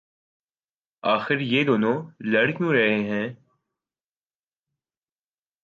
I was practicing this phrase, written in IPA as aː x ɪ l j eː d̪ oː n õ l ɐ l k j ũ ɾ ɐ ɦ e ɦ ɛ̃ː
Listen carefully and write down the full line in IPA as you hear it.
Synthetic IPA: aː x ɪ ɾ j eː d̪ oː n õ l ɐ ɽ k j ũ ɾ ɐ ɦ e ɦ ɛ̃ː